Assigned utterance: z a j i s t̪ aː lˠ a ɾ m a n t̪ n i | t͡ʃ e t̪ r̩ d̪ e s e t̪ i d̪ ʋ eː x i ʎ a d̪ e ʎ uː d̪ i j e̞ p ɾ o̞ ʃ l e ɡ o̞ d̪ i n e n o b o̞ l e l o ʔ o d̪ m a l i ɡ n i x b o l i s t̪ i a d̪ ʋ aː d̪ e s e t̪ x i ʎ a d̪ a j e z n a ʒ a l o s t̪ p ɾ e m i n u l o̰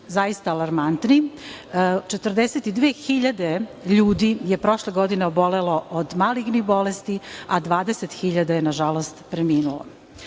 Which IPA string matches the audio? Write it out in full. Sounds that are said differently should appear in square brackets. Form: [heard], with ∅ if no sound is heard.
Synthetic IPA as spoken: z a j i s t̪ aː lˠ a ɾ m a n t̪ n i | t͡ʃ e t̪ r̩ d̪ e s e t̪ i d̪ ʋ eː x i ʎ a d̪ e ʎ uː d̪ i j e̞ p ɾ o̞ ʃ l e ɡ o̞ d̪ i n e [∅] o b o̞ l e l o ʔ o d̪ m a l i ɡ n i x b o l [e] s t̪ i a d̪ ʋ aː d̪ e s e t̪ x i ʎ a d̪ a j e [∅] n a ʒ a l o s t̪ p ɾ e m [iː] n u l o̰